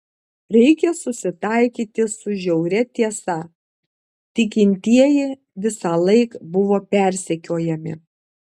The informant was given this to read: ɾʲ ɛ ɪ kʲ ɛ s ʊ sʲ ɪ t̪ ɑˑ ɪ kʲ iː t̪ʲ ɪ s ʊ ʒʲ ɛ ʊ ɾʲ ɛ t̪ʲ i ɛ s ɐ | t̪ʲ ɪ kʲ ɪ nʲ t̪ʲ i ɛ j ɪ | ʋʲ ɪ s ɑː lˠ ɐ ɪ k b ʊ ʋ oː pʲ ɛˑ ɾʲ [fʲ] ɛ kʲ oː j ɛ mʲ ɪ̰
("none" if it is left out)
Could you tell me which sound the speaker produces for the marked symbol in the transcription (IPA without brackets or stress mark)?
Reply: sʲ